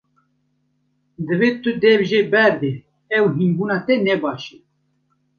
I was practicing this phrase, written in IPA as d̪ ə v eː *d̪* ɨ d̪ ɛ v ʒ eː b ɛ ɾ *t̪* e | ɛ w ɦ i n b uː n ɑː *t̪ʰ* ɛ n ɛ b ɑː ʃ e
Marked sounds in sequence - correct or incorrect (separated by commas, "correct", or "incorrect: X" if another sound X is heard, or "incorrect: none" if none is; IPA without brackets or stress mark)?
incorrect: t̪, incorrect: d̪, incorrect: t̪